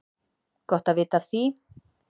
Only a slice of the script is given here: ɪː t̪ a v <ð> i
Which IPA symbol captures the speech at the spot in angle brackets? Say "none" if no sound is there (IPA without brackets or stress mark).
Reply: θ